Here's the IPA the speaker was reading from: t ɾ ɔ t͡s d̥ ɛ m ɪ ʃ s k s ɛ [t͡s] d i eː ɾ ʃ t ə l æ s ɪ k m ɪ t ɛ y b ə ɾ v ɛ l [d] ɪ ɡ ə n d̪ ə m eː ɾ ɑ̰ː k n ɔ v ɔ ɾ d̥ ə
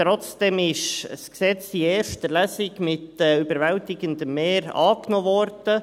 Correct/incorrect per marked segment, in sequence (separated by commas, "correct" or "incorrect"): correct, incorrect